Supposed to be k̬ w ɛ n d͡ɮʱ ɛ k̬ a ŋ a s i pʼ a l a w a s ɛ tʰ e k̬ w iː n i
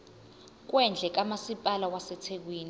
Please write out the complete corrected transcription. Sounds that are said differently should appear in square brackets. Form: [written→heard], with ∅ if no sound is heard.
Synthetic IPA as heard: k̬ w ɛ n d͡ɮʱ ɛ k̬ a [ŋ→m] a s i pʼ a l a w a s ɛ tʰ e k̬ w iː n i